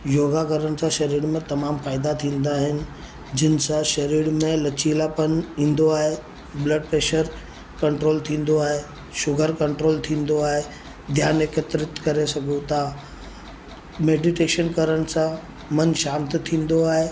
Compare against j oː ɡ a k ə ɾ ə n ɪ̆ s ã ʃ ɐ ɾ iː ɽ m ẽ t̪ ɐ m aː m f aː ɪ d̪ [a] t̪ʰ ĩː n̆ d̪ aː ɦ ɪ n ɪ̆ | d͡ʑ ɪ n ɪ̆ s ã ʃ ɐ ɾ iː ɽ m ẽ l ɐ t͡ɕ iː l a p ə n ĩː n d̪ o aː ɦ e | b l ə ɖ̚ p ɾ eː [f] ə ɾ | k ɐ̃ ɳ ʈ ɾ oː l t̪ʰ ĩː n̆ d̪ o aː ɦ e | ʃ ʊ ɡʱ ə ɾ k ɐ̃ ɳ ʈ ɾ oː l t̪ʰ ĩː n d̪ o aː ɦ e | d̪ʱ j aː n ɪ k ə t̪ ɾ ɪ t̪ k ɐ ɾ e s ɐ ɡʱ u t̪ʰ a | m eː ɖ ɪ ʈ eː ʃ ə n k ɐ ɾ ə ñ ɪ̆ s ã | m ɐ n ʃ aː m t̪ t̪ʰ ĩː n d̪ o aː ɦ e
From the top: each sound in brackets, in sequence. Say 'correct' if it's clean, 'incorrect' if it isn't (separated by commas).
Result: correct, incorrect